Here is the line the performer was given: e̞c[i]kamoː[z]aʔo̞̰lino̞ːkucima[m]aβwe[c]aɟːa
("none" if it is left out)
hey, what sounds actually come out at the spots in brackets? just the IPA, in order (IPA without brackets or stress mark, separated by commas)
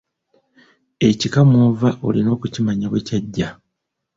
i, v, ɲ, c